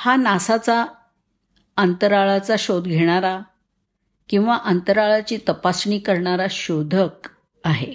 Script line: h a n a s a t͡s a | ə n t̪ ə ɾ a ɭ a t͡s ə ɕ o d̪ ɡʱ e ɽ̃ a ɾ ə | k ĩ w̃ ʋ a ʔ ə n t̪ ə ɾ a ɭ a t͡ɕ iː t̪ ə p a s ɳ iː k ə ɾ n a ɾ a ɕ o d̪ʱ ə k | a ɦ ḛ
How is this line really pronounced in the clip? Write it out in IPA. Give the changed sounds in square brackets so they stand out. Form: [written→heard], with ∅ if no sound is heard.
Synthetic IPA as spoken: h a n a s a t͡s a | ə n t̪ ə ɾ a ɭ a t͡s [ə→a] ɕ o d̪ ɡʱ e ɽ̃ a ɾ [ə→a] | k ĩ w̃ ʋ a ʔ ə n t̪ ə ɾ a ɭ a t͡ɕ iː t̪ ə p a s ɳ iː k ə ɾ [n→ɳ] a ɾ a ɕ o d̪ʱ ə k | a ɦ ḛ